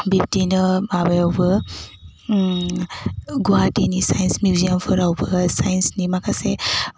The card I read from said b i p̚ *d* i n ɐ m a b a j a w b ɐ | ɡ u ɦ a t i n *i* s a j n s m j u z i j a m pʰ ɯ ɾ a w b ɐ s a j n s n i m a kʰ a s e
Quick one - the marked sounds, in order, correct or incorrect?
incorrect, correct

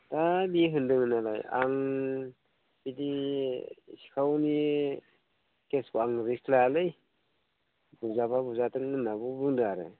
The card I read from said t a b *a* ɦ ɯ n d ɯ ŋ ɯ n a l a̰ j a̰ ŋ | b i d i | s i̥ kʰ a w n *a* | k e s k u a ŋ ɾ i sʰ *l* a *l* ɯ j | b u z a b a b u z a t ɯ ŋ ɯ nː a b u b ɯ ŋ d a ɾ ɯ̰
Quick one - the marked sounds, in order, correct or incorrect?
incorrect, incorrect, correct, correct

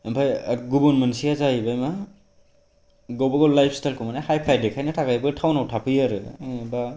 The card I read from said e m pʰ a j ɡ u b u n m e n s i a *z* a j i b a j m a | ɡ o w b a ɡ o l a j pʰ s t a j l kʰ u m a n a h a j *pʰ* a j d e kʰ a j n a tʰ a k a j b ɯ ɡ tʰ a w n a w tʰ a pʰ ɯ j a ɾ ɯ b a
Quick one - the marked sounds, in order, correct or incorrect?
correct, correct

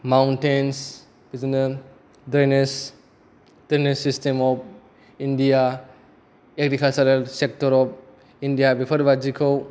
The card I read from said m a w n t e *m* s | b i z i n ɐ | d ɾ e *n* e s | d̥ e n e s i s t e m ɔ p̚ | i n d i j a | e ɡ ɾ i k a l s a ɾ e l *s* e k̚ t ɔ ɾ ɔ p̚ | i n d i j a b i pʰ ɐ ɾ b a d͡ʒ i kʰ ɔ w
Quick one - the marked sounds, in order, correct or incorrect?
incorrect, correct, correct

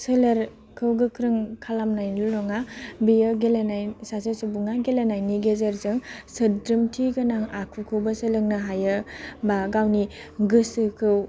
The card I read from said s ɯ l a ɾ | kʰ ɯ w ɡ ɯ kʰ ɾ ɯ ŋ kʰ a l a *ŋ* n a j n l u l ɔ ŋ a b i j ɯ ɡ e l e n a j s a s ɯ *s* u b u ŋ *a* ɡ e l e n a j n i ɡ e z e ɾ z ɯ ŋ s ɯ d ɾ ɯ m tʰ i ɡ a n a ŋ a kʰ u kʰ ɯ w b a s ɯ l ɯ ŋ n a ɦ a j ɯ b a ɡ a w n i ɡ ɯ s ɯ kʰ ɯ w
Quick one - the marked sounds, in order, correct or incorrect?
incorrect, correct, correct

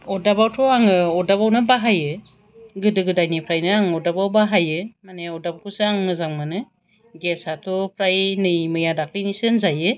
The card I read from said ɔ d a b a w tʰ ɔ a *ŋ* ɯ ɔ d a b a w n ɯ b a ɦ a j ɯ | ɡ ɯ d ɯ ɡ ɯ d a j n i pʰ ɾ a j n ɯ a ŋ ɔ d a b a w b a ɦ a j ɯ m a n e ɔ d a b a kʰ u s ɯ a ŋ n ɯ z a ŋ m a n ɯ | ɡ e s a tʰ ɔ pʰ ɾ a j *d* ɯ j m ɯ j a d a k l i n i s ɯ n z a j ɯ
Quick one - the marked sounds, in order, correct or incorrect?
correct, incorrect

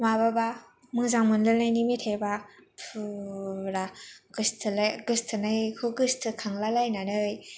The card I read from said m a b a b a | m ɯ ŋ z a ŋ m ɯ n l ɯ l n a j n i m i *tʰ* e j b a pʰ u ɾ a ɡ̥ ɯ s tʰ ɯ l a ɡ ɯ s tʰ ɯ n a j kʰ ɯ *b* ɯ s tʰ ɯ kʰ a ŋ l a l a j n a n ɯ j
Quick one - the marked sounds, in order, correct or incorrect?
correct, incorrect

